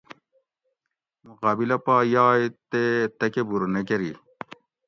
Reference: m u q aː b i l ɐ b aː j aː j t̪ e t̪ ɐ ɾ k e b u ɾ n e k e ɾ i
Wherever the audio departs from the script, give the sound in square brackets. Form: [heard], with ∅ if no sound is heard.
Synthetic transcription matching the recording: m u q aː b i l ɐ [p] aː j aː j t̪ e t̪ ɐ [∅] k e b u ɾ n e k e ɾ i